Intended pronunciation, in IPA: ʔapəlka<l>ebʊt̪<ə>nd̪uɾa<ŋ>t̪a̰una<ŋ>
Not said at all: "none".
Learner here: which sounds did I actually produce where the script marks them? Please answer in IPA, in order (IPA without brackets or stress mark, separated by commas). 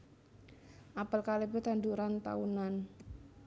l, a, n, n